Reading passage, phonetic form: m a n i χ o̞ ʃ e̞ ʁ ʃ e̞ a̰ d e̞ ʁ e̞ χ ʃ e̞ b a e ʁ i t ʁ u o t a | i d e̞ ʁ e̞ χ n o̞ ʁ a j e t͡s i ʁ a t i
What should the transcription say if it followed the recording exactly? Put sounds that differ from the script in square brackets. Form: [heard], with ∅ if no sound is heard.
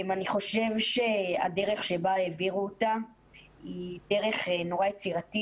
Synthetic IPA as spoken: m a n i χ o̞ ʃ e̞ [v] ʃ e̞ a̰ d e̞ ʁ e̞ χ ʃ e̞ b a e [v] i [∅] ʁ u o t a | i d e̞ ʁ e̞ χ n o̞ ʁ a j e t͡s i ʁ a t i